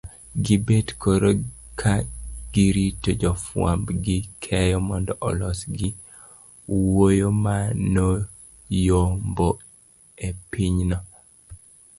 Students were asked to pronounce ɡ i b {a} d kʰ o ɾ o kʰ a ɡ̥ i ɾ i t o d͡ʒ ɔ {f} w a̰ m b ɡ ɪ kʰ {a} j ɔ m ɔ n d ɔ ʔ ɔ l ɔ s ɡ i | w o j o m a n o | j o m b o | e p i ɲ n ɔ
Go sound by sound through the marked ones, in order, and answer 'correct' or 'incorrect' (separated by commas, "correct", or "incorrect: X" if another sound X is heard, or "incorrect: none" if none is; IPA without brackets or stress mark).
incorrect: e, correct, incorrect: ɛ